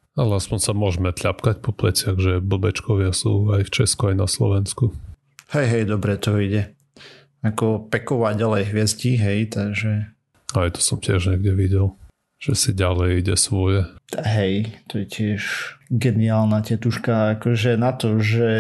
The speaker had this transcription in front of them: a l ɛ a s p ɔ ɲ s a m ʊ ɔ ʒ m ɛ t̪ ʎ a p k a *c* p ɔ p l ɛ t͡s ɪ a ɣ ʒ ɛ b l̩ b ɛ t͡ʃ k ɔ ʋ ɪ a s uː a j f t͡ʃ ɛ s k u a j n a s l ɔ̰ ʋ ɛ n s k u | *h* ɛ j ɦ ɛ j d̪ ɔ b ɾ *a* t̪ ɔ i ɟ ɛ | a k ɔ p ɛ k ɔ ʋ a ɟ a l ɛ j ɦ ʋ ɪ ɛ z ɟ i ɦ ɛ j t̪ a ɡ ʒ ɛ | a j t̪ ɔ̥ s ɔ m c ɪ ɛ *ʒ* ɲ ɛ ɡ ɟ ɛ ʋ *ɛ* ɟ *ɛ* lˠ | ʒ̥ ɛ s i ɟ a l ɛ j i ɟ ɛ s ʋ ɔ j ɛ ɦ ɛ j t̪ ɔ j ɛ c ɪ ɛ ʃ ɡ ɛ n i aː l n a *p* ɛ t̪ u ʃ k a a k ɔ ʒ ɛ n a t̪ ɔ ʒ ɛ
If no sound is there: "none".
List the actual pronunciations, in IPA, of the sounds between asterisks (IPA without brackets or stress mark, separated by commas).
c, h, ɛ, ʒ, i, ɛ, c